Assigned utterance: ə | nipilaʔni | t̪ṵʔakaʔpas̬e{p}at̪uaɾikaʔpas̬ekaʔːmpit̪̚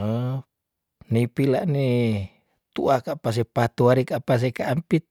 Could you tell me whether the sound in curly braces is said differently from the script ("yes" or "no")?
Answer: no